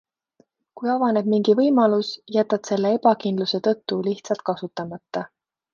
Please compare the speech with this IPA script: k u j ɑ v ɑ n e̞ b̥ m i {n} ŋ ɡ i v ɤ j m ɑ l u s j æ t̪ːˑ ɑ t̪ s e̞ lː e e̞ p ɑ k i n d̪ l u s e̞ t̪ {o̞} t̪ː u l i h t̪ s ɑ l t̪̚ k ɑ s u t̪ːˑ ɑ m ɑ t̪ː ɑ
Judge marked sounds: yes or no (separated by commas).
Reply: no, no